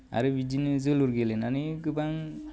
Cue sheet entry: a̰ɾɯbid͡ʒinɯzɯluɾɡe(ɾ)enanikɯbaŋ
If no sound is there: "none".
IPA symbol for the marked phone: l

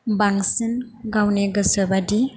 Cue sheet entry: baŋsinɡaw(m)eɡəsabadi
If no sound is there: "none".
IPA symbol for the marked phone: n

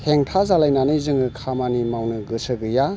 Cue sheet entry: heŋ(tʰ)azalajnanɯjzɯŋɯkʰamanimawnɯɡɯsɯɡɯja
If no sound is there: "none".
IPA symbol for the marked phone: tʰ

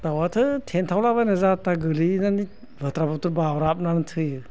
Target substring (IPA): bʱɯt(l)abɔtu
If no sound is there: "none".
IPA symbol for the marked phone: ɾ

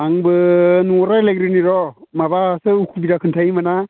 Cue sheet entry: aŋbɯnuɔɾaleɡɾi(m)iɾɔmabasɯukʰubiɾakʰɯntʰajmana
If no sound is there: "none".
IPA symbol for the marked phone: n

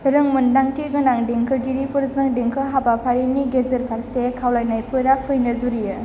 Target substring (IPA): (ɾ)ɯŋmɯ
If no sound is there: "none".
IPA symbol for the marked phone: ɾ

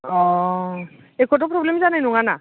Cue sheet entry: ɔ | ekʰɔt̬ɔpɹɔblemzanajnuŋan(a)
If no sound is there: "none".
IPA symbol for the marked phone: a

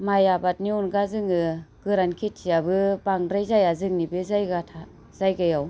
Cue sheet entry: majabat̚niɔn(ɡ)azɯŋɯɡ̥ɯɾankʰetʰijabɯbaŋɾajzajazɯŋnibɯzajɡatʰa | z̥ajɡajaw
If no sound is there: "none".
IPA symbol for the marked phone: ɡ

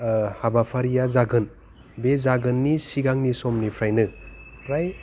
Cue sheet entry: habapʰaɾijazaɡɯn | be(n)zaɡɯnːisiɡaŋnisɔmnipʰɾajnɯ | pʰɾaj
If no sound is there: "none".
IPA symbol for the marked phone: none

